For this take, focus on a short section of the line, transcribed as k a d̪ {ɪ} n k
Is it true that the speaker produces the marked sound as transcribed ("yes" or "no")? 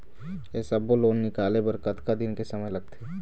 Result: yes